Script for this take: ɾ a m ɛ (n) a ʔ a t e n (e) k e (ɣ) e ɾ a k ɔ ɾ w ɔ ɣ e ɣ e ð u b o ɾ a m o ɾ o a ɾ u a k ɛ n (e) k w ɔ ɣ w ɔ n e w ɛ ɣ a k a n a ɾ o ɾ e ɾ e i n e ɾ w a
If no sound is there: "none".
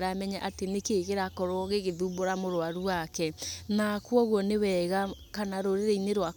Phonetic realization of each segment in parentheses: ɲ, e, ɣ, a

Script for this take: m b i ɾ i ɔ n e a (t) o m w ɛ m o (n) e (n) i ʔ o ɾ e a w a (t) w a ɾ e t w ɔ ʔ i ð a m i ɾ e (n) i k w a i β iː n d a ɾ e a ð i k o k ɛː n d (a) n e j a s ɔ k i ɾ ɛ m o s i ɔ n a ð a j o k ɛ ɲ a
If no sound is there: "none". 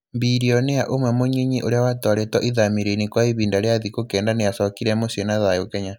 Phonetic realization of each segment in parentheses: ʔ, ɲ, ɲ, t, n, a

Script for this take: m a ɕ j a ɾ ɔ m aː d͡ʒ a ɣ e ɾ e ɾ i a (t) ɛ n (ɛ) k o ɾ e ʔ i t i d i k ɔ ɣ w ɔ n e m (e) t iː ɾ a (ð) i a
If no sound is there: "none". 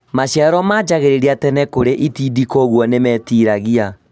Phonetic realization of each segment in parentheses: t, ɛ, ɛ, ɣ

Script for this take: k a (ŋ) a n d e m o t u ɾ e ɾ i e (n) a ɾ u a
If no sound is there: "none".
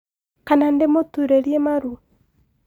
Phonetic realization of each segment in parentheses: n, m

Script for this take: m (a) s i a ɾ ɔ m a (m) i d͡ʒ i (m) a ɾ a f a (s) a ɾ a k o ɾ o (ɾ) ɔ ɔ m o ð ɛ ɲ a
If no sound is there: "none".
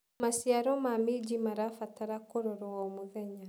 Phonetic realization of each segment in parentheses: a, m, m, t, ɾ

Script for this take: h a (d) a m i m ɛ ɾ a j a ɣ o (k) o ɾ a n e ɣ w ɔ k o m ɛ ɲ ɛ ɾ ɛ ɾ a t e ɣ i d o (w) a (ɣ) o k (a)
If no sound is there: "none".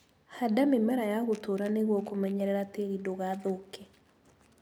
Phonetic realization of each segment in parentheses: d, t, ɣ, ð, ɛ

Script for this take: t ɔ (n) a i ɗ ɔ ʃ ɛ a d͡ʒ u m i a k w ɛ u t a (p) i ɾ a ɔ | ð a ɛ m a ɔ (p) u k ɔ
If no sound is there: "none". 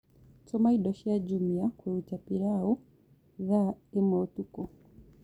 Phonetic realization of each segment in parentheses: m, p, t

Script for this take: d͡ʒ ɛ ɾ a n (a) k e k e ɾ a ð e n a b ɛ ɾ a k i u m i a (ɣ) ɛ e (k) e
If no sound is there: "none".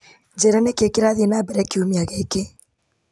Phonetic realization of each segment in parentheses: e, ɣ, k

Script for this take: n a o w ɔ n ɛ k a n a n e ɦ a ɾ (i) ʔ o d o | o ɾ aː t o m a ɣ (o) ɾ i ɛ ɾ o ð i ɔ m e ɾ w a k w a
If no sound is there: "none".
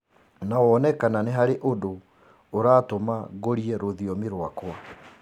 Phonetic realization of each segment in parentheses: e, o

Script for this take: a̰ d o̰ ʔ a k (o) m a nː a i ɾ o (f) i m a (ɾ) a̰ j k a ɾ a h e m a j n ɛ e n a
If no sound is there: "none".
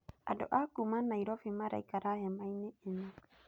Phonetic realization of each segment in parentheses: u, f, ɾ

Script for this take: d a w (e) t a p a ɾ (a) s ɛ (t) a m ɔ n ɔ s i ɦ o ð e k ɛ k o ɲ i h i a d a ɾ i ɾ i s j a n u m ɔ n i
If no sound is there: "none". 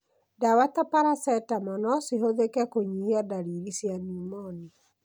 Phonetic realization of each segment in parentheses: a, a, t

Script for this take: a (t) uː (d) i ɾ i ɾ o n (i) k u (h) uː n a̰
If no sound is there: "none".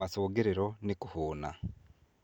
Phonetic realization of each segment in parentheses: s, ɡ, i, h

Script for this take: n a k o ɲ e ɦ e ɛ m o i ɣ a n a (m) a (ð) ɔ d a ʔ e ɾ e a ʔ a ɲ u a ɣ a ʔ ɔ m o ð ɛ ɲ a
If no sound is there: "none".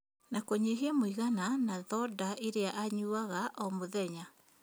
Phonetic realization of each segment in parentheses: n, ð

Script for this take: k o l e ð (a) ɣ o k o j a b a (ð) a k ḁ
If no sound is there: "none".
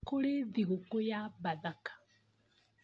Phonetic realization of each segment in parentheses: i, ð

